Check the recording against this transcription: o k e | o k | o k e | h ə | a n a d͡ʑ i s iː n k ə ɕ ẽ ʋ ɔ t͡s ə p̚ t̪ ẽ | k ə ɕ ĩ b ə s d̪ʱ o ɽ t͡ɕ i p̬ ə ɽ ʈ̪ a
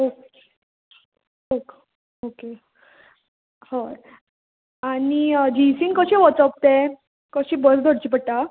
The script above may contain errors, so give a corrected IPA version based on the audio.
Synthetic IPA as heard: o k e | o k | o k e | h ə | a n i d͡ʑ i s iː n k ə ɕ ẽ ʋ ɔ t͡s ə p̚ t̪ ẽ | k ə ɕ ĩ b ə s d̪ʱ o ɽ t͡ɕ i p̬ ə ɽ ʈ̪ a